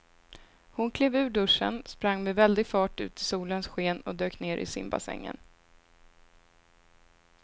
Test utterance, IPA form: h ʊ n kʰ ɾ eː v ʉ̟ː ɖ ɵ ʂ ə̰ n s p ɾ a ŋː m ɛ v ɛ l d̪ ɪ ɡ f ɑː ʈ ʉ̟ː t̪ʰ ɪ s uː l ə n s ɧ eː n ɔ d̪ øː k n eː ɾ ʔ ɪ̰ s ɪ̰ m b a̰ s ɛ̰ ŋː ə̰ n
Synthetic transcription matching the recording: h ʊ n kʰ l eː v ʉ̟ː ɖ ɵ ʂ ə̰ n s p ɾ a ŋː m ɛ v ɛ l d̪ ɪ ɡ f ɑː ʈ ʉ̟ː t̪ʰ ɪ s uː l ə n s ɧ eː n ɔ d̪ øː k n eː ɾ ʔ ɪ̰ s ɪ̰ m b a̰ s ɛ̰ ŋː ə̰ n